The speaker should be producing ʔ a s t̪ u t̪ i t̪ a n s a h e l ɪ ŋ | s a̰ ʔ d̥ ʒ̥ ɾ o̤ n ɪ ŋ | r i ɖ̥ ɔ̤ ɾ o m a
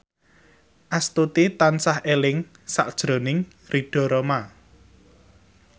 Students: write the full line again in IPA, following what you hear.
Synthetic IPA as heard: ʔ a s t̪ u t̪ i t̪ a n s a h e l ɪ ŋ | s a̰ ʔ d̥ ʒ̥ ɾ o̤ n ɪ ŋ | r i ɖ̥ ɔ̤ ɾ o m a